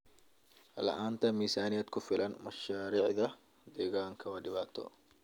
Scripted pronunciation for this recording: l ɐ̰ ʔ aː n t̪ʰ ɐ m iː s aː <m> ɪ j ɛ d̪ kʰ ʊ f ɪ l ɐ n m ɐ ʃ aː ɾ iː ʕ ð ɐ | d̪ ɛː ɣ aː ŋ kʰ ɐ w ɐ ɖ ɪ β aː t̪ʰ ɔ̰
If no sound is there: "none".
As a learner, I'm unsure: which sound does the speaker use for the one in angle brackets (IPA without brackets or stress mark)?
n